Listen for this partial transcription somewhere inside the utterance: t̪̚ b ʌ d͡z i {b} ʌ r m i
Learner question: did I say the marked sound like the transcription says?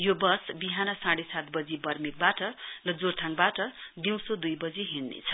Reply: yes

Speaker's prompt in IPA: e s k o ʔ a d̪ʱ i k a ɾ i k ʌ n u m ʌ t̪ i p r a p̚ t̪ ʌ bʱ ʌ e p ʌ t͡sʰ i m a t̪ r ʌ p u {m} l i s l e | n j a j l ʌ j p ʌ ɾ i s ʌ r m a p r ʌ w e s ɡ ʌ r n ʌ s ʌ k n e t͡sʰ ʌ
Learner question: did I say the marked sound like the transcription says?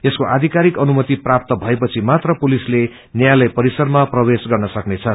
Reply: no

